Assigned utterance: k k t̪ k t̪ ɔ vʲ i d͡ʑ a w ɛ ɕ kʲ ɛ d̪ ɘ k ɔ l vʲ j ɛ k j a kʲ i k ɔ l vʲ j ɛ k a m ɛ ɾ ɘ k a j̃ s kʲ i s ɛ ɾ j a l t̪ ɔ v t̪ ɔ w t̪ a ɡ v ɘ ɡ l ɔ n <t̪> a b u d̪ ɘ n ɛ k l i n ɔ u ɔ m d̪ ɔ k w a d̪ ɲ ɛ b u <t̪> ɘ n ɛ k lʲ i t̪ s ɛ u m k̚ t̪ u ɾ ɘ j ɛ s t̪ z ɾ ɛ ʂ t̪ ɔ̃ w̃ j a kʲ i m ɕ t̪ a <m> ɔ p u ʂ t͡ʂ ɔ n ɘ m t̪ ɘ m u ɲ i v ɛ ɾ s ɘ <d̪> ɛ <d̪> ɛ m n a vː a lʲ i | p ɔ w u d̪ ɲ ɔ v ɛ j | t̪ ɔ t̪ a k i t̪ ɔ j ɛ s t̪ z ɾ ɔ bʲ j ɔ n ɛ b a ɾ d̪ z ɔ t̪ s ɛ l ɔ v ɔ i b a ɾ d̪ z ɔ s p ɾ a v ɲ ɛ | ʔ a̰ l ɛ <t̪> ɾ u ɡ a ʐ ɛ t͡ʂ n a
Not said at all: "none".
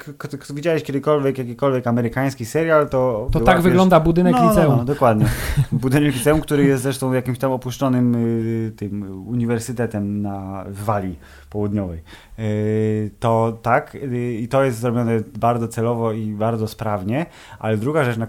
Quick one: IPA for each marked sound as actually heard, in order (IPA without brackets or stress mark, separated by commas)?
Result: d̪, d̪, m, t̪, t̪, d̪